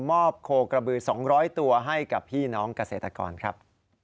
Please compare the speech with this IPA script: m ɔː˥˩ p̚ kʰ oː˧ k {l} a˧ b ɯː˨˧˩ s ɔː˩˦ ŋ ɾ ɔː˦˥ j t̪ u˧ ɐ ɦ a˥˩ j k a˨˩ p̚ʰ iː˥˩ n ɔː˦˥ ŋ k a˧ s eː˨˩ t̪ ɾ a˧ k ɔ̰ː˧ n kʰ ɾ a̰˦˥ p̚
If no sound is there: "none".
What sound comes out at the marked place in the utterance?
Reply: ɾ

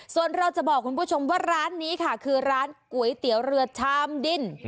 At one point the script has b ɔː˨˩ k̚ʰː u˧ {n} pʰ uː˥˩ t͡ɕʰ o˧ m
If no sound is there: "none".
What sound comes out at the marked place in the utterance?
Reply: n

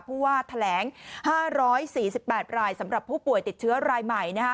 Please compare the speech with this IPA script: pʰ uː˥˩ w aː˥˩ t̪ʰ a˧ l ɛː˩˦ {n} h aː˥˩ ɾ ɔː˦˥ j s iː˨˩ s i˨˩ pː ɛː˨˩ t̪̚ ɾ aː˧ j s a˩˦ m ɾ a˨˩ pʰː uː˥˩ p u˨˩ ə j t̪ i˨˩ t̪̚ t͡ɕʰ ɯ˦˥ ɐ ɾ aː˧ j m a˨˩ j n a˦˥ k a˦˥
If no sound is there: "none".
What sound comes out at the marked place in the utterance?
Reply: ŋ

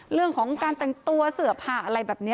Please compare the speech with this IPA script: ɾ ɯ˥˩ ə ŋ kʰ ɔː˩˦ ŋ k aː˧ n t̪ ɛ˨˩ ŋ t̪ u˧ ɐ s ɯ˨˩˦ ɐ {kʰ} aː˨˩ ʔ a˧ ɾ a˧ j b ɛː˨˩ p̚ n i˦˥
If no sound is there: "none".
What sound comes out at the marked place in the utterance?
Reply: pʰ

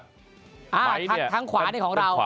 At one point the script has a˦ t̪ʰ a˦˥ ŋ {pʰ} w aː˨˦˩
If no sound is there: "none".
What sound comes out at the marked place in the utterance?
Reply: kʰ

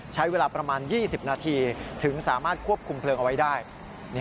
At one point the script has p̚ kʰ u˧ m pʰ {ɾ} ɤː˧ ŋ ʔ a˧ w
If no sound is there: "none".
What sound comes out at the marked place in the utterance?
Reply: l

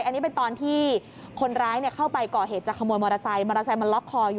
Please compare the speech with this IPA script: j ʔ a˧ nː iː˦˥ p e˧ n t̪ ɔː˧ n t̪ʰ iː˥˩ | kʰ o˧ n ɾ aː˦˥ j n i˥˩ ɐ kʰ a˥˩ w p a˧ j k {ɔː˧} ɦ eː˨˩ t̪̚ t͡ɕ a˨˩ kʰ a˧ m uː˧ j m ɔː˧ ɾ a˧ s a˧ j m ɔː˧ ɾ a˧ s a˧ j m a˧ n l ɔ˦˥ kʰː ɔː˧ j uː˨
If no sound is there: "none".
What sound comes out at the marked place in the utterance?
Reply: ɔː˨˩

